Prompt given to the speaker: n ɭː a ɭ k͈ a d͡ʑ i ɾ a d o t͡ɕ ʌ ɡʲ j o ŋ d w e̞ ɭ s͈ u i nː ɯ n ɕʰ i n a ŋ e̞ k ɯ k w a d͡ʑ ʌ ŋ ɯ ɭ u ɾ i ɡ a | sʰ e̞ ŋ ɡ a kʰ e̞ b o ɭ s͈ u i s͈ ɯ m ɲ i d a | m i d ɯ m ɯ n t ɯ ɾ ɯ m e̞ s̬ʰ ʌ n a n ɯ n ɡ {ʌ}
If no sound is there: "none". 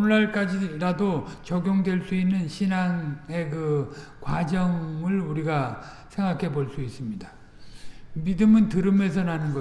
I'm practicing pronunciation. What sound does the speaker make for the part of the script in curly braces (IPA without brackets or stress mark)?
ʌ